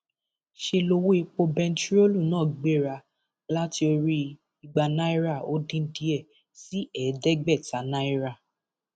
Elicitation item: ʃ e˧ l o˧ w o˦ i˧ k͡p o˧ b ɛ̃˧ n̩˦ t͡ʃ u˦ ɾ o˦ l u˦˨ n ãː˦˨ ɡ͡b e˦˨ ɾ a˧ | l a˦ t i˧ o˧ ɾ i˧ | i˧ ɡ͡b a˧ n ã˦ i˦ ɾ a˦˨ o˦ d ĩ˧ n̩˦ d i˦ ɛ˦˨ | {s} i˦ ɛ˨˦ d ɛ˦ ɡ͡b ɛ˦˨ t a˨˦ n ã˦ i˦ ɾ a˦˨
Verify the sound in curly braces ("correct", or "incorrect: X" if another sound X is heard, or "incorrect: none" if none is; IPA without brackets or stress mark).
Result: correct